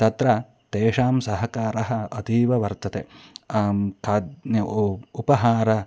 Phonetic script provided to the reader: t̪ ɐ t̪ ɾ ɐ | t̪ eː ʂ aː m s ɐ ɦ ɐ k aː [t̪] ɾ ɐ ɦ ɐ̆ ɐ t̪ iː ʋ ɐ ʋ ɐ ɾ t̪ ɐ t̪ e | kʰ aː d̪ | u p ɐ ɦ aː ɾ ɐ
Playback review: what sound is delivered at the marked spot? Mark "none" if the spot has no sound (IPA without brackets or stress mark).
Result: none